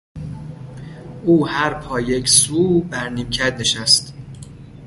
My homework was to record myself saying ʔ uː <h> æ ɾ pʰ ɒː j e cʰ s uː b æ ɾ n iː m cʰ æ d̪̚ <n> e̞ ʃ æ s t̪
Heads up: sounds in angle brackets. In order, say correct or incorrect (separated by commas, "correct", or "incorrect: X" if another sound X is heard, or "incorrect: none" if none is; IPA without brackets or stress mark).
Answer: correct, correct